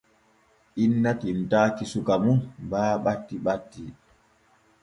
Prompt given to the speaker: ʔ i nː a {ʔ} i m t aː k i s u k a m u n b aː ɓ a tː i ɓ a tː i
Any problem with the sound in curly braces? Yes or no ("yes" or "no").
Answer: yes